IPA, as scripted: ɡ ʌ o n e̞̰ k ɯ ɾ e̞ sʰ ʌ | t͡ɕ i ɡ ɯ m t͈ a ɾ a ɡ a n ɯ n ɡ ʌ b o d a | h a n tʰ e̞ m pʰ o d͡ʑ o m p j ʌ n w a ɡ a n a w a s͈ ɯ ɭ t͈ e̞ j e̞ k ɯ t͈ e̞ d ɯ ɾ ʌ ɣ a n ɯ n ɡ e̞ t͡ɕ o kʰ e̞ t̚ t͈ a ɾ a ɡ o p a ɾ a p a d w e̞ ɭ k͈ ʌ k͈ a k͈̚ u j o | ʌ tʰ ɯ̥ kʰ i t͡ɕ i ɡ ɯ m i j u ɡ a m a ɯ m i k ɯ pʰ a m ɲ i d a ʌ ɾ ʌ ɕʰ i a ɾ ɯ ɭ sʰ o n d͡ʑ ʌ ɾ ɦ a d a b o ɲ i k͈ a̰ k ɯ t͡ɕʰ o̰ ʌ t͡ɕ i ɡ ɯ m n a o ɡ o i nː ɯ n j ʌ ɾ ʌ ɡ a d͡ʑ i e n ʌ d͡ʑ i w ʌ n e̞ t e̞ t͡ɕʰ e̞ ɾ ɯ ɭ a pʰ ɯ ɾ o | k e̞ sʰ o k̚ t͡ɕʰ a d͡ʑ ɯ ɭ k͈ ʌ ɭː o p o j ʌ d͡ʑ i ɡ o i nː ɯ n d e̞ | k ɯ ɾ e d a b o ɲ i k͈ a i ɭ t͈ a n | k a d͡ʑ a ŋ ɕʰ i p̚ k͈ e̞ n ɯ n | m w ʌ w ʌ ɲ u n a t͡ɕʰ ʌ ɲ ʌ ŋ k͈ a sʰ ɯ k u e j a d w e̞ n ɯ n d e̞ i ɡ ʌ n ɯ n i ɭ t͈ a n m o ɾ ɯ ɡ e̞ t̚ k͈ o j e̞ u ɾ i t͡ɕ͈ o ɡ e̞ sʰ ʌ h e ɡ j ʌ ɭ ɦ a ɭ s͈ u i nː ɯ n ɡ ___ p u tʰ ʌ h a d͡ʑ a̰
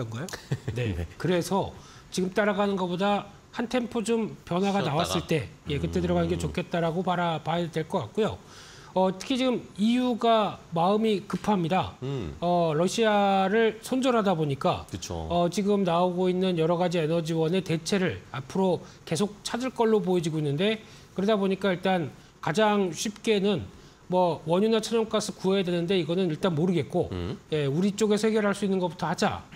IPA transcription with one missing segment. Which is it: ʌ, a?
ʌ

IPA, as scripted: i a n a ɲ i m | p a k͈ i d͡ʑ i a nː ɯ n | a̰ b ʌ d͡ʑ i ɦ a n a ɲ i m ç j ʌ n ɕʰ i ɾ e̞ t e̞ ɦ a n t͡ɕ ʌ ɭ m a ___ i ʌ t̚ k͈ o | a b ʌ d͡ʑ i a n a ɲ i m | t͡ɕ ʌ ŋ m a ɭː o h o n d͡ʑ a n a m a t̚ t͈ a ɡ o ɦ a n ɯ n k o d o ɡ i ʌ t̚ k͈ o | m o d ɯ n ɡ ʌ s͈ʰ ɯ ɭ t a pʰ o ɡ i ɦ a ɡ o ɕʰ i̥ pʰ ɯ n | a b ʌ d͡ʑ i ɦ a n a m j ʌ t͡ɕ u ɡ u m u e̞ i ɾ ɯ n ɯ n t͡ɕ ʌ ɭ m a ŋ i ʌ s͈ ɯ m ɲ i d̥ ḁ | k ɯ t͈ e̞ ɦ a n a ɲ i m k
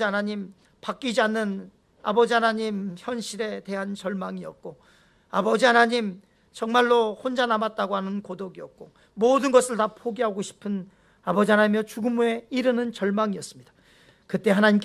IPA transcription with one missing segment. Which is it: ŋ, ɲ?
ŋ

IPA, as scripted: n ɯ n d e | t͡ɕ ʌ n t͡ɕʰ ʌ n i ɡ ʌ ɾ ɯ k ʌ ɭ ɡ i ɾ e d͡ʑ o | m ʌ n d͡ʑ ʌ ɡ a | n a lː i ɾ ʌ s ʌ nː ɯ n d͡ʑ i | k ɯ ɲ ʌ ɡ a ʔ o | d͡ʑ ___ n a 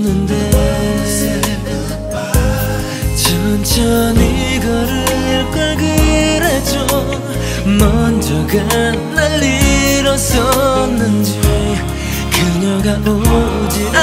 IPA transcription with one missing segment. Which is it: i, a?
i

